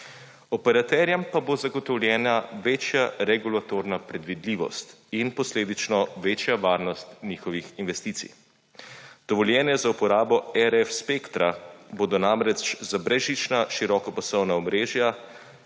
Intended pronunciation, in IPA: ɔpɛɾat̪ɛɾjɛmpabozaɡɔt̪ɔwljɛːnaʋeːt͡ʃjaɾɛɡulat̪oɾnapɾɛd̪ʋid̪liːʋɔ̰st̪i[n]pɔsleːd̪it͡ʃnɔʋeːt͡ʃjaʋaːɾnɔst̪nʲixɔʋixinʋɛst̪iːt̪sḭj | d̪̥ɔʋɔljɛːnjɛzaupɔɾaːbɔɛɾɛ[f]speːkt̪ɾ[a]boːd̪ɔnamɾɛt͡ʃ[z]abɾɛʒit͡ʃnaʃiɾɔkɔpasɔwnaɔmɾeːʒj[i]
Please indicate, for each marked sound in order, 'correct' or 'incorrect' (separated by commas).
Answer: correct, correct, correct, correct, incorrect